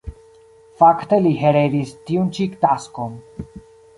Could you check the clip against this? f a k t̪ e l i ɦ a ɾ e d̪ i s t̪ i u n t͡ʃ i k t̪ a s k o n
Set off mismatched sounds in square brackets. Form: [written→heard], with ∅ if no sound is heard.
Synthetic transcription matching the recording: f a k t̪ e l i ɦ [a→e] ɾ e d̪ i s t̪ i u n t͡ʃ i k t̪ a s k o n